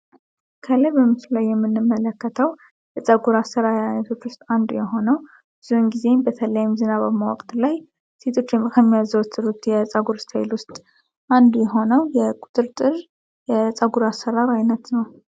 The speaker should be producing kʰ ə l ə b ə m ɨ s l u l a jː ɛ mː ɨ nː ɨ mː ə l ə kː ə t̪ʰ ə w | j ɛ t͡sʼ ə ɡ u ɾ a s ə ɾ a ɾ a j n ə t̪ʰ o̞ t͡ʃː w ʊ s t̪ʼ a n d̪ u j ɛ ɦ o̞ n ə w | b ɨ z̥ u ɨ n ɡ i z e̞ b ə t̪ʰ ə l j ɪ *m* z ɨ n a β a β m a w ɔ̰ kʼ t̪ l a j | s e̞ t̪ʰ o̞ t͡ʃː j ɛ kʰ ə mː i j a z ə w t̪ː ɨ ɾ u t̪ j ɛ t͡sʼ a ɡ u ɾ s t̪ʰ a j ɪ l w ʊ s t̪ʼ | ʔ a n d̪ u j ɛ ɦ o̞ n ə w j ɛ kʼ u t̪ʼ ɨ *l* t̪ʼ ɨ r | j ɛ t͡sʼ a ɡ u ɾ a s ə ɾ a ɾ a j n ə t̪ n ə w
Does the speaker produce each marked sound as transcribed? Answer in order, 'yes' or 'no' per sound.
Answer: yes, no

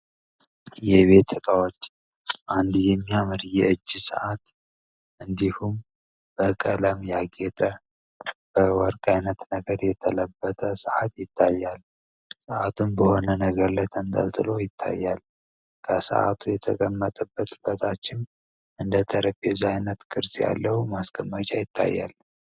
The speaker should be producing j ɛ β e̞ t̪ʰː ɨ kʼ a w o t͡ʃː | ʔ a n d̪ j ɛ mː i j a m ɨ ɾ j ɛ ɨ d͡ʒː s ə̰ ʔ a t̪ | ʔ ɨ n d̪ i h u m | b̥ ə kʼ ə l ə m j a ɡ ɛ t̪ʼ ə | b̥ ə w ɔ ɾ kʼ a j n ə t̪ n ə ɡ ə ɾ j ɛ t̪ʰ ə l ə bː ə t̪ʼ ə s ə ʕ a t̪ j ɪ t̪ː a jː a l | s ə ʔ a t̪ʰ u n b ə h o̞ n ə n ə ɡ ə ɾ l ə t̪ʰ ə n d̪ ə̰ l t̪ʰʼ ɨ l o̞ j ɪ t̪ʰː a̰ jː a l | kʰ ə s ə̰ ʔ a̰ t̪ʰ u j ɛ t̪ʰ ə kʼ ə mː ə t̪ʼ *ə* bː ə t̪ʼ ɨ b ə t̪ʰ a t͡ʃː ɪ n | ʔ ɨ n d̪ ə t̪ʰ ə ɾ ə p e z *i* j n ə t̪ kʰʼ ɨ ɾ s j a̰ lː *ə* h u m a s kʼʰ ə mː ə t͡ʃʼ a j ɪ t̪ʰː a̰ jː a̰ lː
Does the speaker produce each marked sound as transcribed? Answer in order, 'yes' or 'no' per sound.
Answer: yes, no, yes

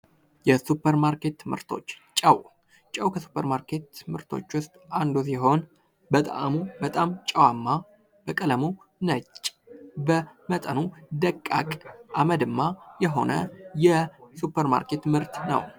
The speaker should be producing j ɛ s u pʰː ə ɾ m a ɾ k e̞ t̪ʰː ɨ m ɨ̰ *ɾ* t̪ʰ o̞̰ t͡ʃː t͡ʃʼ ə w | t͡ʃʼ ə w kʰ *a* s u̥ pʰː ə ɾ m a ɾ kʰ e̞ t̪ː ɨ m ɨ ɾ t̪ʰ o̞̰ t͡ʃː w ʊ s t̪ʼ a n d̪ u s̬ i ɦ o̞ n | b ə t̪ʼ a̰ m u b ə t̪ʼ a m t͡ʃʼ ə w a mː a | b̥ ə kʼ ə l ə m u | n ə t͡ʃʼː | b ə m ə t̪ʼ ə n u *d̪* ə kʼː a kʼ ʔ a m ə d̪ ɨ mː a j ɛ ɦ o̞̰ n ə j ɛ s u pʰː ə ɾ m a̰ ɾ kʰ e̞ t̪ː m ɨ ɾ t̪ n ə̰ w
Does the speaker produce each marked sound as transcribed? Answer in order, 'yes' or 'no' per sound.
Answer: yes, no, yes

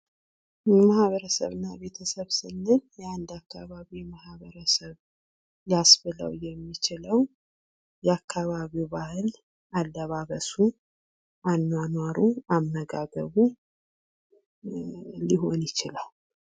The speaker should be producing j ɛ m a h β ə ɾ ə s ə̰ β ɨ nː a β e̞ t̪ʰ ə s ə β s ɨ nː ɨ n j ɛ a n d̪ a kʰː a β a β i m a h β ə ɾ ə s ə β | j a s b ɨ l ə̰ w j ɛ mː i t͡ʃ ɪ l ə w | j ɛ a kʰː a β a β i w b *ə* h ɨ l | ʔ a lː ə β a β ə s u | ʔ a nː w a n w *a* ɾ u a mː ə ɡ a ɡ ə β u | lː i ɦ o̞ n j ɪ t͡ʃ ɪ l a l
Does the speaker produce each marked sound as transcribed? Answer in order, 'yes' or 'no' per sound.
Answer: no, yes

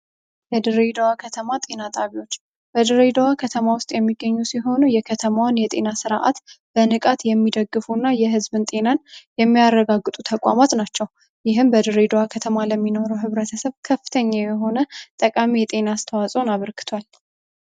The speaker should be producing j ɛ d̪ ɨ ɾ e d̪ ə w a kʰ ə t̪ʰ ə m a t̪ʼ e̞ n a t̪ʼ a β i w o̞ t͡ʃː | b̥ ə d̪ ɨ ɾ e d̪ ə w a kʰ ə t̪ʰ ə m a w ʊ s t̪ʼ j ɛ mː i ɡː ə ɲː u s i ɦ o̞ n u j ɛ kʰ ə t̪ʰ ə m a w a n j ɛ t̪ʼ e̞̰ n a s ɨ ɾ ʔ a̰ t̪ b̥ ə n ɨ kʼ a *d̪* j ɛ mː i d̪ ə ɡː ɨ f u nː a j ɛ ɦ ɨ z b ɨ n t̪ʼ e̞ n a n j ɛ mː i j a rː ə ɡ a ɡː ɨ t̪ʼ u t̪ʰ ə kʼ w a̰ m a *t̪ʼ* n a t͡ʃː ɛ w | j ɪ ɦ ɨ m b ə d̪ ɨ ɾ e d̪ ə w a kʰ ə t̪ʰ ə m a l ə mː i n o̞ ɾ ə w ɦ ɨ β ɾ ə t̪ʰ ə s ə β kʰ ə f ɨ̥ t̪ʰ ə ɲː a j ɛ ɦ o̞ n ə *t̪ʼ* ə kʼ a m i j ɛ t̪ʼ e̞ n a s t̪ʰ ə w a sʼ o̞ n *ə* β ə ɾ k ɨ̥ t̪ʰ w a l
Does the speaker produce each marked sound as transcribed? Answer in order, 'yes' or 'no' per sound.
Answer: no, no, yes, no

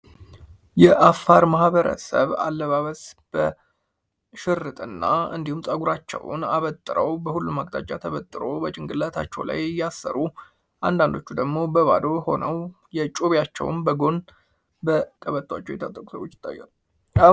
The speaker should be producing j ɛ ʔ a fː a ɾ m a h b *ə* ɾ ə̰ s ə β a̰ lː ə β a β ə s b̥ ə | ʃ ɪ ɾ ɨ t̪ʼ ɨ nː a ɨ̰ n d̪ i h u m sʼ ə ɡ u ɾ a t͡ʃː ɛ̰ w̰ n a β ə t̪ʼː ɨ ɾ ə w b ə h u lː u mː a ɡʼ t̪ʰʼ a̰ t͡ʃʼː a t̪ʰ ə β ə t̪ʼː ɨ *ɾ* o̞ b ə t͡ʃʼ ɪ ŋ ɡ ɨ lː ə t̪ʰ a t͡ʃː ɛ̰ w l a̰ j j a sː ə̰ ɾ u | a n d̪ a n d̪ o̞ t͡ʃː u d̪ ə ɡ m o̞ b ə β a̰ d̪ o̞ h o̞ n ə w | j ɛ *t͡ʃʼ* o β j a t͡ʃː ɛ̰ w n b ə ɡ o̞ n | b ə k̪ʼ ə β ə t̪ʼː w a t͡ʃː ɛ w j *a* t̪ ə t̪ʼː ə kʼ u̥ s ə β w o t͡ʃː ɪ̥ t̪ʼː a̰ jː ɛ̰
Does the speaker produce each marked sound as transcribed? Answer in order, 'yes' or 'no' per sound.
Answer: yes, yes, yes, no

